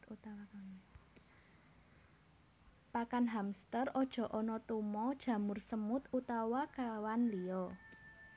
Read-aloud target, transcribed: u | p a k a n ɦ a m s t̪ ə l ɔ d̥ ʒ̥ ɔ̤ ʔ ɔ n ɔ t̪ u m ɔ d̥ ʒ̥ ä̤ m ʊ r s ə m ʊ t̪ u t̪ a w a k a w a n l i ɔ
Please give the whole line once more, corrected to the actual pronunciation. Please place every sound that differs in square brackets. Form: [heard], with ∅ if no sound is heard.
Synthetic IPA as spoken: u | p a k a n ɦ a m s t̪ ə [r] ɔ d̥ ʒ̥ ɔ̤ ʔ ɔ n ɔ t̪ u m ɔ d̥ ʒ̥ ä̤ m ʊ r s ə m ʊ t̪ u t̪ a w a k a w a n l i ɔ